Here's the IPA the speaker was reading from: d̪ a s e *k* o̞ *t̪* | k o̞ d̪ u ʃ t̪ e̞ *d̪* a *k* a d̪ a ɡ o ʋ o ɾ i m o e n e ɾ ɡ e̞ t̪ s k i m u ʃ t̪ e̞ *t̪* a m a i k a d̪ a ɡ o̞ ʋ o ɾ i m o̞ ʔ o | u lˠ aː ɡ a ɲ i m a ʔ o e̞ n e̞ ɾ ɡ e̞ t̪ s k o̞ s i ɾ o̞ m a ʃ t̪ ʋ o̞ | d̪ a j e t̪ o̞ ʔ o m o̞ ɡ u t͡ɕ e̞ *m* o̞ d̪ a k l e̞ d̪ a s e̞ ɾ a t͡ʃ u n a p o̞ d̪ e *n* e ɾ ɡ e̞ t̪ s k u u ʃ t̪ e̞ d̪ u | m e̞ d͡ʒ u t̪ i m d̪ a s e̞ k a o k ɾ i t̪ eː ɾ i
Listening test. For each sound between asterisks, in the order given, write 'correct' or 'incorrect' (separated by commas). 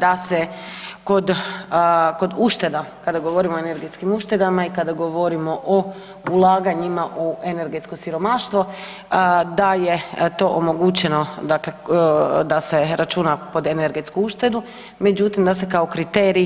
correct, incorrect, correct, correct, incorrect, incorrect, correct